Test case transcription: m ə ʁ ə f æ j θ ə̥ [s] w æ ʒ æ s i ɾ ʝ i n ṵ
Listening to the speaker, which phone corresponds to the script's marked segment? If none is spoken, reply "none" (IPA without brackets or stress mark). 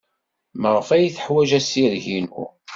ħ